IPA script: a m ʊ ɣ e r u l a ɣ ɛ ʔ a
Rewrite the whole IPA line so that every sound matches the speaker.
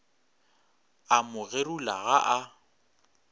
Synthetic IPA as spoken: a m ʊ ɣ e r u l a ɣ a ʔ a